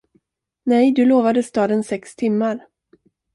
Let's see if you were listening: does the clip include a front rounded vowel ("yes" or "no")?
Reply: no